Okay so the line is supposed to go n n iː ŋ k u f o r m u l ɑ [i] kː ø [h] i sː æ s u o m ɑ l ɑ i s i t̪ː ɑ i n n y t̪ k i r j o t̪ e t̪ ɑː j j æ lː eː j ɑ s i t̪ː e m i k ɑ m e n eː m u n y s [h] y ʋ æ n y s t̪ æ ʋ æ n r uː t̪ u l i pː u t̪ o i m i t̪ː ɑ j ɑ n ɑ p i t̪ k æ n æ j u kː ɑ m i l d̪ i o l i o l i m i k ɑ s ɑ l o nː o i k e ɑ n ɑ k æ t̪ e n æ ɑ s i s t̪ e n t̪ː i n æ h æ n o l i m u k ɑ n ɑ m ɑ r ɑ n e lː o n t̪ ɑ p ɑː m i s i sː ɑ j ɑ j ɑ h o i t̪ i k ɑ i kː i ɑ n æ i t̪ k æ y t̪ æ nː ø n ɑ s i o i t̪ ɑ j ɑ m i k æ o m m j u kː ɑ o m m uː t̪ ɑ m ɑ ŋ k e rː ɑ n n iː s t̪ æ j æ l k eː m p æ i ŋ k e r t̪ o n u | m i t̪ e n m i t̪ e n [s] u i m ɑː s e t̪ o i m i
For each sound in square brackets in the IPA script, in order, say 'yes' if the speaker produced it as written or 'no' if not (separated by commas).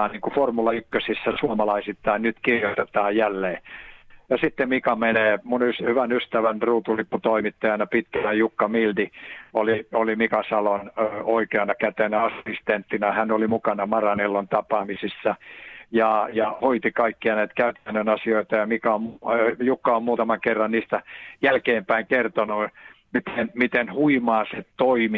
no, no, yes, no